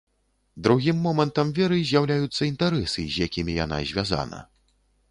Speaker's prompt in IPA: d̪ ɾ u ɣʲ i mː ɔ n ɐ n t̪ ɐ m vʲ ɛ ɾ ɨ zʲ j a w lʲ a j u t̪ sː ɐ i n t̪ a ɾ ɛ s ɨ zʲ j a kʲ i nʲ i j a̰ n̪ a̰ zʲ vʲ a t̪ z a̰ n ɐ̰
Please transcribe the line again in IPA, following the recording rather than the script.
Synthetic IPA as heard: d̪ ɾ u ɣʲ i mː ɔ m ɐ n t̪ ɐ m vʲ ɛ ɾ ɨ zʲ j a w lʲ a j u t̪ sː ɐ i n t̪ a ɾ ɛ s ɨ zʲ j a kʲ i mʲ i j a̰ n̪ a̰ zʲ vʲ a z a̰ n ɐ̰